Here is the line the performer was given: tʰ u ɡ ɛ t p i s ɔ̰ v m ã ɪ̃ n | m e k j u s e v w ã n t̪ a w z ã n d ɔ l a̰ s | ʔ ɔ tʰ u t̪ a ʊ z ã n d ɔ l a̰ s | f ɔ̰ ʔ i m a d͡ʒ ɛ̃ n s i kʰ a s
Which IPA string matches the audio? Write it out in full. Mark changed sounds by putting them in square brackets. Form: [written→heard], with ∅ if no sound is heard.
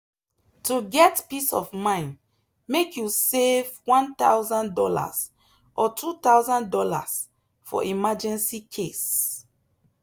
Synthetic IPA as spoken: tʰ u ɡ ɛ t p i s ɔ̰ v m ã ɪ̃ n | m e k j u s e v w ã n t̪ a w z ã n d ɔ l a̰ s | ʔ ɔ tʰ u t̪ a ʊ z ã n d ɔ l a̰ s | f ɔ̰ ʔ i m a d͡ʒ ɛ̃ n s i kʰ [a→e] s